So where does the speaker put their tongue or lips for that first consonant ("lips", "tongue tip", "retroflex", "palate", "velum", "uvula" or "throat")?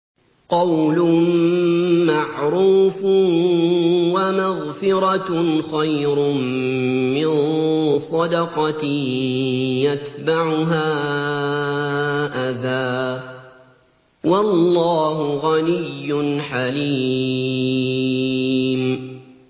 uvula